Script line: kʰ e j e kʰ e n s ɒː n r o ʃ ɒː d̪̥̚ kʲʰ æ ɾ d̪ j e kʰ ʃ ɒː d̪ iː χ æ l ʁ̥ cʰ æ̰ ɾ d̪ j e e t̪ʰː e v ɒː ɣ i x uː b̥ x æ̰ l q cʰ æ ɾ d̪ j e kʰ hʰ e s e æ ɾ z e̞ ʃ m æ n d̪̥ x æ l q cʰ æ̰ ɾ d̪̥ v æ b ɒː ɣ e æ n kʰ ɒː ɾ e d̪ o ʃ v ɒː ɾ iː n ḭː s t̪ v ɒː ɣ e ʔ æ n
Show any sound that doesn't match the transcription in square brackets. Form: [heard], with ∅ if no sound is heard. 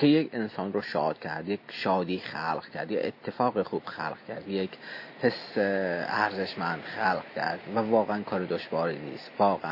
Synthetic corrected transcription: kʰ e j e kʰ e n s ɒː n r o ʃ ɒː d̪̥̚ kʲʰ æ ɾ d̪ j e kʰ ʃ ɒː d̪ iː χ æ l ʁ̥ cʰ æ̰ ɾ d̪ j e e t̪ʰː e [f] ɒː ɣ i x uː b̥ x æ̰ l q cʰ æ ɾ d̪ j e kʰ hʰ e s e æ ɾ z e̞ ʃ m æ n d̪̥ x æ l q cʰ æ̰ ɾ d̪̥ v æ [v] ɒː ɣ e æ n kʰ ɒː ɾ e d̪ o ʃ v ɒː ɾ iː n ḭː s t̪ v ɒː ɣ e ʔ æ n